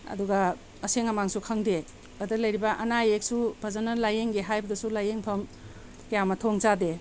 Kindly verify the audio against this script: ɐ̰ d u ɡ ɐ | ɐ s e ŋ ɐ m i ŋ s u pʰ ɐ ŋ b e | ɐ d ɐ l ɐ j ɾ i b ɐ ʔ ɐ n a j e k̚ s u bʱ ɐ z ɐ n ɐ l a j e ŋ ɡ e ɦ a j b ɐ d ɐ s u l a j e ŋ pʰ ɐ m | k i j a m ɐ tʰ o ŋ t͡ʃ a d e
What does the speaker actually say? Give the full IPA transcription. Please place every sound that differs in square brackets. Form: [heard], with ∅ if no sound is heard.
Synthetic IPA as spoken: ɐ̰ d u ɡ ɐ | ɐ s e ŋ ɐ m [a] ŋ s u [kʰ] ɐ ŋ [d] e | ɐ d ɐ l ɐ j ɾ i b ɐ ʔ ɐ n a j e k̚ s u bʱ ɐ z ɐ n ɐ l a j e ŋ ɡ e ɦ a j b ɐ d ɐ s u l a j e ŋ pʰ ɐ m | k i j a m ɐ tʰ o ŋ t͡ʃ a d e